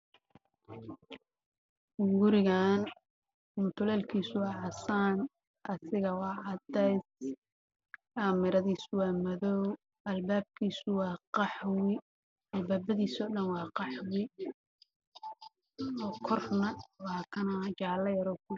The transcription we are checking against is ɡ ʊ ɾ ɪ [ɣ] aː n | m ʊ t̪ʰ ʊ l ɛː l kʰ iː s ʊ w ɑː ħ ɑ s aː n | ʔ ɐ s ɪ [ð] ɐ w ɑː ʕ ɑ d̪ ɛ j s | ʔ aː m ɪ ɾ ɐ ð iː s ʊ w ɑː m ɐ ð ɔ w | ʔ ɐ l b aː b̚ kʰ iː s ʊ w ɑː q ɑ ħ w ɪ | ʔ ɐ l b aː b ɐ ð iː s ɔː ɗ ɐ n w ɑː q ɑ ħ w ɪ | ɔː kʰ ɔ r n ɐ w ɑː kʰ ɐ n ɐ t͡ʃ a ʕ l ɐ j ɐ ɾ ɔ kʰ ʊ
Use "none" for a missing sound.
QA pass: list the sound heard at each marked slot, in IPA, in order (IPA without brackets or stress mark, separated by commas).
ɣ, ɣ